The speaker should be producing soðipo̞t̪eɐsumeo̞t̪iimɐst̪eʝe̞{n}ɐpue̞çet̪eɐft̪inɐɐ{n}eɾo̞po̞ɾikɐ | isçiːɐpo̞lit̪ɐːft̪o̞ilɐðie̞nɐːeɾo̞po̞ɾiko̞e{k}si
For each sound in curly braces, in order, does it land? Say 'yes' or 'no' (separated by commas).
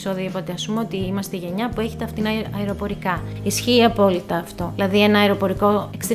no, no, yes